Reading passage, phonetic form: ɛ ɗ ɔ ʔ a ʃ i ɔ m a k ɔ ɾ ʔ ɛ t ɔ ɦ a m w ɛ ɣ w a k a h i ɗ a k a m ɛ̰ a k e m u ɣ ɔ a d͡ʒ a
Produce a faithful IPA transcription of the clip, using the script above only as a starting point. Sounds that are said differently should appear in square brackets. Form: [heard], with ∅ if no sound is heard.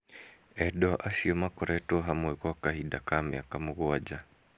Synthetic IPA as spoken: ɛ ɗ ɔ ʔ a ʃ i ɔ m a k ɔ ɾ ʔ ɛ t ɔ ɦ a m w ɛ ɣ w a k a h i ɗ a k a m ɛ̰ a k [a] m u ɣ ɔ a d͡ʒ a